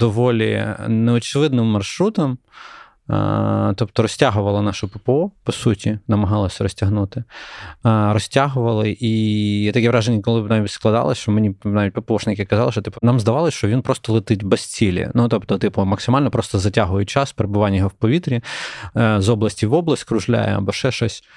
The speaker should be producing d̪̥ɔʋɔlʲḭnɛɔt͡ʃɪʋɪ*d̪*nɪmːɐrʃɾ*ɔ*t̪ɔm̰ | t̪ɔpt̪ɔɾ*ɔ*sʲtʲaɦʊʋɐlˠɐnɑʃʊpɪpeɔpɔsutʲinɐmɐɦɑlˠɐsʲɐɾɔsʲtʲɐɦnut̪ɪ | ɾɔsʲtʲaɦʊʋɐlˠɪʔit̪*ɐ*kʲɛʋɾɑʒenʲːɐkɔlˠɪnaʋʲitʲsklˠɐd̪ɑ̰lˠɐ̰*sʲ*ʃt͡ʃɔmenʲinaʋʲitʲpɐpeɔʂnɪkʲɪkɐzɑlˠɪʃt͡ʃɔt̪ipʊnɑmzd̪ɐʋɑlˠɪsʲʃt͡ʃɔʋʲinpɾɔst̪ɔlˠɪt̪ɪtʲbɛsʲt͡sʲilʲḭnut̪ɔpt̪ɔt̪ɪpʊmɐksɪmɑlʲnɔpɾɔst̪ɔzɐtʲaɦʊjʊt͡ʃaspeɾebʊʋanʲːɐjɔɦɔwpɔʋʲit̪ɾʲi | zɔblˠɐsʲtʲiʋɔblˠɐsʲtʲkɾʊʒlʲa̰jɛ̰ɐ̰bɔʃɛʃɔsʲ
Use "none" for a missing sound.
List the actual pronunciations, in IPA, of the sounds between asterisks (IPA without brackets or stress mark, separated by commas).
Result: d̪, u, ɔ, ɐ, sʲ